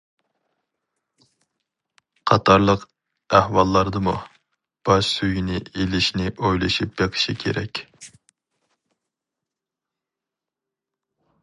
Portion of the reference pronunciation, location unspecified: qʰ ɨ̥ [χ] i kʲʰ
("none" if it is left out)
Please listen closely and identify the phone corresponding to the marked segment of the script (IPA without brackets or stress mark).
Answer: ʃ